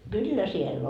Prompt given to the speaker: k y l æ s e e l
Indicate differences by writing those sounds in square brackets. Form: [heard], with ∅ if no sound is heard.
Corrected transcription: k y [lː] æ s [i] e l

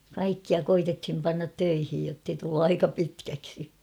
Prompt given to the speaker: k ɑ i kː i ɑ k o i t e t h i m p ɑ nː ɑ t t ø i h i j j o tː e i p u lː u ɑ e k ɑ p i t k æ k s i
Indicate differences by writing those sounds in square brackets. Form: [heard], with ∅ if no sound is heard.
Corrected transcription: k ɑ i kː i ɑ k o i t e t h i m p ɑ nː ɑ t t ø i h i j j o tː e i [t] u lː u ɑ [i] k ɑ p i t k æ k s i

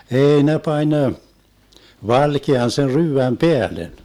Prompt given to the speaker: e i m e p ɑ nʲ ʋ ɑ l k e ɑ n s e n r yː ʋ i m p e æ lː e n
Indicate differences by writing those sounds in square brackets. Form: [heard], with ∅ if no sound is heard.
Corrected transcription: e i [n] e p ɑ nʲ ʋ ɑ l k e ɑ n s e n r yː ʋ [æ] m p e æ [l] e n

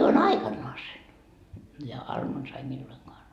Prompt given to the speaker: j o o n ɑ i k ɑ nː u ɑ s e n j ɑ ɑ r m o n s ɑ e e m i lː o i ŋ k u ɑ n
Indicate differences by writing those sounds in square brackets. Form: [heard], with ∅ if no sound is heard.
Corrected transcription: j o o n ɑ i k ɑ nː [o] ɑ s e n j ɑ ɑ r m o n s ɑ e [i] m i lː o i ŋ k [o] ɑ n

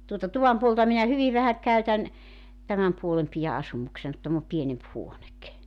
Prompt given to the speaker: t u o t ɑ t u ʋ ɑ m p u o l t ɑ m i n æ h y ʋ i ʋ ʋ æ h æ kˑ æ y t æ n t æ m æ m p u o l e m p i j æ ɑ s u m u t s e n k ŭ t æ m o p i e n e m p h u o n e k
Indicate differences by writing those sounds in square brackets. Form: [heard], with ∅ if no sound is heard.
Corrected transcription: t u o t ɑ t u ʋ ɑ m p u o l t ɑ m i n æ h y ʋ i ʋ ʋ æ h æ kˑ æ y t æ n t æ m æ m p u o l e m p i j æ ɑ s u m u [k] s e n k ŭ t æ m o p i e n e m p h u o n e k

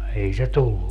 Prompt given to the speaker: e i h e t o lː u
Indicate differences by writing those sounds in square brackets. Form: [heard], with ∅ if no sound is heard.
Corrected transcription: e i [s] e t [u] lː u

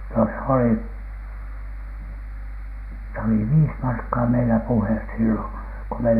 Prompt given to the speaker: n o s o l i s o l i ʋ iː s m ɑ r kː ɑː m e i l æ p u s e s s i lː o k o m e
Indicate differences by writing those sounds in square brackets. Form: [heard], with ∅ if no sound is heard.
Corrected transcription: n o s o l i s o l i ʋ iː s m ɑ r kː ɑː m e i l æ p u [h] e s s i lː o k o m e

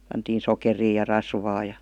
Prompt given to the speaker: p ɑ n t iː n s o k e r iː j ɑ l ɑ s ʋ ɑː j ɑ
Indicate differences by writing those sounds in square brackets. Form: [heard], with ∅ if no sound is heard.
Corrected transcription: p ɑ n t iː n s o k e r iː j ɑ [r] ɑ s ʋ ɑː j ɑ

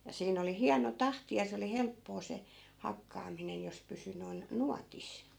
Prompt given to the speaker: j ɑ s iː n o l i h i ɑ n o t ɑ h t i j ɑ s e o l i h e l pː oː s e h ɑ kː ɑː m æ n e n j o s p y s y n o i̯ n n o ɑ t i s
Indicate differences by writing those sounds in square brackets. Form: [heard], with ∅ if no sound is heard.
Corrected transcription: j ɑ s iː n o l i h i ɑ n o t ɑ h t i j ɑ s e o l i h e l pː oː s e h ɑ kː ɑː m [i] n e n j o s p y s y n o i̯ n n [u] ɑ t i s

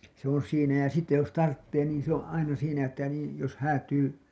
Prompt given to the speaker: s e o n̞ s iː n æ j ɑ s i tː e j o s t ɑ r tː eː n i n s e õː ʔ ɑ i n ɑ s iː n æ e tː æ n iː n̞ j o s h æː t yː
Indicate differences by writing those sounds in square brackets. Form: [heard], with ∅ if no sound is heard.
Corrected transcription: s e o n̞ s iː n æ j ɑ s i tː e j o s t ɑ r tː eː n [iː] n s e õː ʔ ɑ i n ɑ s iː n æ e tː æ n iː n̞ j o s h æː t yː

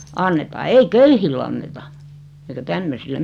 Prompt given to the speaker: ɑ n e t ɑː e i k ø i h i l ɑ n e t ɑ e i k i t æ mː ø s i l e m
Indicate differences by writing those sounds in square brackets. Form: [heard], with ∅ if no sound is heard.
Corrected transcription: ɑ [nː] e t ɑː e i k ø [y] h i [lː] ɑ [nː] e t ɑ e i k [æ] t æ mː ø s i l e m

